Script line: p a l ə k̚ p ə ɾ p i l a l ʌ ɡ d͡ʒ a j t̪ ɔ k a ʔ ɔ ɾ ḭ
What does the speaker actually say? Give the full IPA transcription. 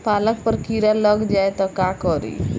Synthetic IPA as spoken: p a l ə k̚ p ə ɾ k i ɾ a l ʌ ɡ d͡ʒ a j t̪ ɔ k a k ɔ ɾ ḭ

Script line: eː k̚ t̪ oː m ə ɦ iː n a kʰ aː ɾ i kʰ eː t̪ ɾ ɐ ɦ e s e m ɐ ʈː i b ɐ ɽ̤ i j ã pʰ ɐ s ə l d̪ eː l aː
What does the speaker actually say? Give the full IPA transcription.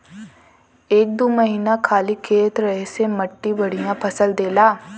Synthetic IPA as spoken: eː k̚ d̪ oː m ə ɦ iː n a kʰ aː l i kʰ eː t̪ ɾ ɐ ɦ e s e m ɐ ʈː i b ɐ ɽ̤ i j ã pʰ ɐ s ə l d̪ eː l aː

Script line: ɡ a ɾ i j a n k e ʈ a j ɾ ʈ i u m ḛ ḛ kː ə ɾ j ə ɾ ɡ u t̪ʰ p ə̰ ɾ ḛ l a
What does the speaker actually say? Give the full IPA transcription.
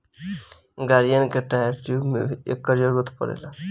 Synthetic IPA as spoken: ɡ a ɾ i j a n k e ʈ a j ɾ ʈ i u m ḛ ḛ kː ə ɾ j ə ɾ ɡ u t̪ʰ p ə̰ ɾ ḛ l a

